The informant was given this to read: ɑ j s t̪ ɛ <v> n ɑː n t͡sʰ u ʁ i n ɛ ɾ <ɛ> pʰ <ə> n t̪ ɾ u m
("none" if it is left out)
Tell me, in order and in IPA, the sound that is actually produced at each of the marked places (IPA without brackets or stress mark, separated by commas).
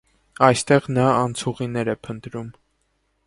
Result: ʁ, ɛ, ə